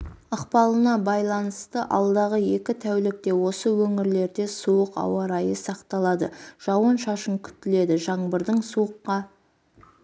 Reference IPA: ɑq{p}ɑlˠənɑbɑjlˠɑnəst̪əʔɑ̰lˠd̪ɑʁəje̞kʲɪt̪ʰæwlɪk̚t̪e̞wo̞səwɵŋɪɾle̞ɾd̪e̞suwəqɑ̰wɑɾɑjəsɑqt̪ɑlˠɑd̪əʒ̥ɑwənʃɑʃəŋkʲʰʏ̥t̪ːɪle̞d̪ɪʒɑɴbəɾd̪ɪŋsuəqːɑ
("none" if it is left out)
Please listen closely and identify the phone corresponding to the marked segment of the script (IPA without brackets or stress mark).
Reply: p